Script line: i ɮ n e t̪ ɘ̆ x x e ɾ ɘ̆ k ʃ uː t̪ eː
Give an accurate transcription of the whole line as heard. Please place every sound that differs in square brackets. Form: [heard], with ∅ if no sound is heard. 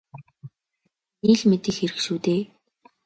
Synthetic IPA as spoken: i ɮ [m] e t̪ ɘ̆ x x e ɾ ɘ̆ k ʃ uː t̪ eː